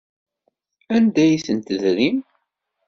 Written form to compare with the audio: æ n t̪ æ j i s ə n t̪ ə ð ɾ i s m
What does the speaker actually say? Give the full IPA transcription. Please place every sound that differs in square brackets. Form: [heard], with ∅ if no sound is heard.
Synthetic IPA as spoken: æ n [d̪] æ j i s ə n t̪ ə ð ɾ i [∅] m